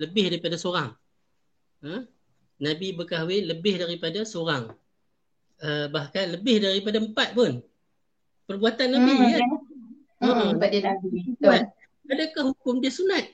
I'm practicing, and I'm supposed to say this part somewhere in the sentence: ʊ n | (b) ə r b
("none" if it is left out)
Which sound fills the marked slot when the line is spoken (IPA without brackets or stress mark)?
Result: p